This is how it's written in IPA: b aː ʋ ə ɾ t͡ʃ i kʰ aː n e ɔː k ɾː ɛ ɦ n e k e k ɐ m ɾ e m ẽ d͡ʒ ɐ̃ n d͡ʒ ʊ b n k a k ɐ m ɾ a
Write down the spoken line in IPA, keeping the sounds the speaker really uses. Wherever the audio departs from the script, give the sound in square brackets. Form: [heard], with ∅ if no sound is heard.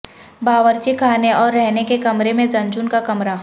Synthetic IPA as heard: b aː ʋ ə ɾ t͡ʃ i kʰ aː n e ɔː [∅] ɾː ɛ ɦ n e k e k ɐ m ɾ e m ẽ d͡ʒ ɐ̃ n d͡ʒ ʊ [∅] n k a k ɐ m ɾ a

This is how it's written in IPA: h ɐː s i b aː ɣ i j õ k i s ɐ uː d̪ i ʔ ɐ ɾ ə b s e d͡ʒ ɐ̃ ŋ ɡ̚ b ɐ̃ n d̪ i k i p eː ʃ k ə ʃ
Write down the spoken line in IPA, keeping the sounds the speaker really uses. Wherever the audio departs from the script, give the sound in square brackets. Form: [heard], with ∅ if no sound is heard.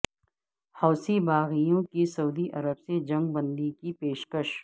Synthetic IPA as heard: h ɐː s i b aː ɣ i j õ k i s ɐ uː d̪ i ʔ ɐ ɾ ə b s e d͡ʒ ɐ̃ ŋ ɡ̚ b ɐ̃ n d̪ i k i p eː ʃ k ə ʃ

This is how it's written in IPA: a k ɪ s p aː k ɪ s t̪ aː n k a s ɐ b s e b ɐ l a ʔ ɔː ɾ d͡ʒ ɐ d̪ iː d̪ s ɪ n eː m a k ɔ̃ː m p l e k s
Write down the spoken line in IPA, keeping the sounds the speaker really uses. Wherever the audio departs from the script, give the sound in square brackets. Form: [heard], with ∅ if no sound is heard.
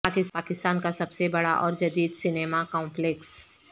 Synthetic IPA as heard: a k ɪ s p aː k ɪ s t̪ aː n k a s ɐ b s e b ɐ [ɽ] a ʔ ɔː ɾ d͡ʒ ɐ d̪ iː d̪ s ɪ n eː m a k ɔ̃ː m p l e k s

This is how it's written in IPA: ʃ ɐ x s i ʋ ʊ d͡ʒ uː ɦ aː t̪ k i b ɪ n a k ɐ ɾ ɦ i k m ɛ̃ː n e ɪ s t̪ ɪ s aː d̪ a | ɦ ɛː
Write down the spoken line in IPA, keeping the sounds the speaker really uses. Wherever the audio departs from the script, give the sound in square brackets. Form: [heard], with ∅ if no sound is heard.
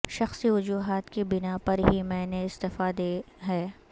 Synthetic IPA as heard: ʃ ɐ x s i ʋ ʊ d͡ʒ uː ɦ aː t̪ k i b ɪ n a [p] ɐ ɾ ɦ i [∅] m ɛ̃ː n e ɪ s t̪ ɪ [f] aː d̪ [e] | ɦ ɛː

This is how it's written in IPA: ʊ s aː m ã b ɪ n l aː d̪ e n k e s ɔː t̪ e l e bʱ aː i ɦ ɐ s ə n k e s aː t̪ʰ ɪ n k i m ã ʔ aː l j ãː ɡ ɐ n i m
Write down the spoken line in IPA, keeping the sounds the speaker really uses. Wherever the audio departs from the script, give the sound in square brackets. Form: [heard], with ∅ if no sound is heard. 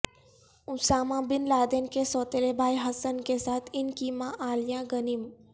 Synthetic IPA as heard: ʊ s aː m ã b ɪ n l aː d̪ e n k e s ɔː t̪ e l e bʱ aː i ɦ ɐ s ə n k e s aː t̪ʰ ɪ n k i m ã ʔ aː l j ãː ɡ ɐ n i m

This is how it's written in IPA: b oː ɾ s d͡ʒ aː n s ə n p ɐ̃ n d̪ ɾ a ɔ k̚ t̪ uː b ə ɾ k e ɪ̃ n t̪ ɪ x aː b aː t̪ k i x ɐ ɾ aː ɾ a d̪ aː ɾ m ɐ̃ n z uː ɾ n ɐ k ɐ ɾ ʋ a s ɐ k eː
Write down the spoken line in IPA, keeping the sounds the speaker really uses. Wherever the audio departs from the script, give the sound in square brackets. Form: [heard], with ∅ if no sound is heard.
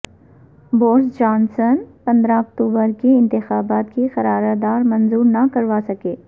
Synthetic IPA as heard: b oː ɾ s d͡ʒ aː n s ə n p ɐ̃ n d̪ ɾ a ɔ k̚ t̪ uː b ə ɾ k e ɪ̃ n t̪ ɪ x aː b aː t̪ k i x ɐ ɾ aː ɾ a d̪ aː ɾ m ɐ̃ n z uː ɾ n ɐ k ɐ ɾ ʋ a s ɐ k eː

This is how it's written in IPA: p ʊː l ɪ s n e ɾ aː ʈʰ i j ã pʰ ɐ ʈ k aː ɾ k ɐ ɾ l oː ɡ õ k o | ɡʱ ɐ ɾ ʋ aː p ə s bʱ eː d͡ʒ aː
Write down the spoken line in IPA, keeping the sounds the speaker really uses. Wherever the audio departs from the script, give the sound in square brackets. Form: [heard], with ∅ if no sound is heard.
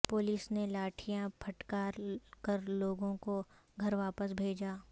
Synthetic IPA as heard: p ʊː l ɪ s n e [l] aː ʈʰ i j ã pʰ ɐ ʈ k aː ɾ k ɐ ɾ l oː ɡ õ k o | ɡʱ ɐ ɾ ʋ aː p ə s bʱ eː d͡ʒ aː

